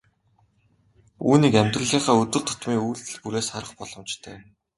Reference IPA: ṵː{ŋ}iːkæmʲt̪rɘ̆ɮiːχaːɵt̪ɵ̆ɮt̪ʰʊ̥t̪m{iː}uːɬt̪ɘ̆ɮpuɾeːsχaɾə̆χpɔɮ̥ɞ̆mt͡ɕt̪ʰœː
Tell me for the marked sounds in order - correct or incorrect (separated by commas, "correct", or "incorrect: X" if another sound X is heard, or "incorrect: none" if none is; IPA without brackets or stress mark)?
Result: incorrect: n, correct